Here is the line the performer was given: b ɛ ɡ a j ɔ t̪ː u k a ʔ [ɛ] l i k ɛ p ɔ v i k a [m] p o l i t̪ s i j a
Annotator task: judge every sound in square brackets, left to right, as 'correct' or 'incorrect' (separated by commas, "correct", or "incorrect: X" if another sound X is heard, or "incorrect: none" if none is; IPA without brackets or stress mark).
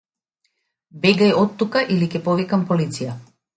incorrect: i, correct